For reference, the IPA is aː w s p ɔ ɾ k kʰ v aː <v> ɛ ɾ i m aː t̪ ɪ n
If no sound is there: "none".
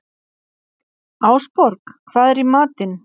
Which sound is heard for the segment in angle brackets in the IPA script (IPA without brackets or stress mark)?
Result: ð